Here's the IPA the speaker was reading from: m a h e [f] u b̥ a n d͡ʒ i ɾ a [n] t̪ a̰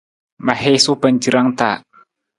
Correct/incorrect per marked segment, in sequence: incorrect, incorrect

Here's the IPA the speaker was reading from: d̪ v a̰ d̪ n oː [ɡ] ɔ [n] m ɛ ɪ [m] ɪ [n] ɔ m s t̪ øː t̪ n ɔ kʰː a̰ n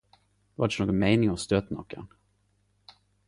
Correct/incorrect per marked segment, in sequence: correct, correct, incorrect, incorrect

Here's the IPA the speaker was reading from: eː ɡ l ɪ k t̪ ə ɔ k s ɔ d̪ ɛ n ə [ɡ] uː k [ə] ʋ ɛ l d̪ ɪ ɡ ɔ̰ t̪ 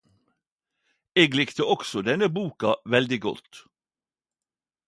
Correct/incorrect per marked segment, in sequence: incorrect, incorrect

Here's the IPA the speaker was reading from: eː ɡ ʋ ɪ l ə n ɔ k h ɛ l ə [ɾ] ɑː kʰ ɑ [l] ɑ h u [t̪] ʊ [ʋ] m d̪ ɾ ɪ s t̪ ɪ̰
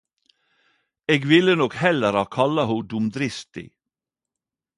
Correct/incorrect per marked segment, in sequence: correct, correct, incorrect, incorrect

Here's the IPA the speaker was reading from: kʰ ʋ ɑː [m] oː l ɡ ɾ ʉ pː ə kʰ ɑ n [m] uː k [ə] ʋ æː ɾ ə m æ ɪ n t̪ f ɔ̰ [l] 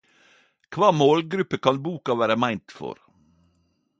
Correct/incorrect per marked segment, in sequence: correct, incorrect, incorrect, incorrect

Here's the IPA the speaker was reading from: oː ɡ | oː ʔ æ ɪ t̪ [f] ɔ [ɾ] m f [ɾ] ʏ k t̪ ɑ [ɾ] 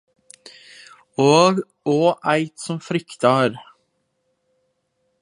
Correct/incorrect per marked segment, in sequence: incorrect, incorrect, correct, correct

